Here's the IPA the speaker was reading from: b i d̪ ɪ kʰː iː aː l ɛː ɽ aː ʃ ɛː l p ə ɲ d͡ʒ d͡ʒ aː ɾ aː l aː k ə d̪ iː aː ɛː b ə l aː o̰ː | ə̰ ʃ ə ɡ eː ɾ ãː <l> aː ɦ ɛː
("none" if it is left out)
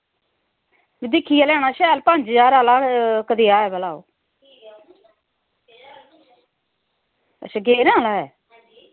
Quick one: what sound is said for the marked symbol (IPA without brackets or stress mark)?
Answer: l